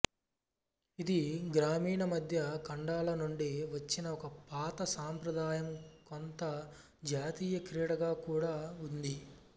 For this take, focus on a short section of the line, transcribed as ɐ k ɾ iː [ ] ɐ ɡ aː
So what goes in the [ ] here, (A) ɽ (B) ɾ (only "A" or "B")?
A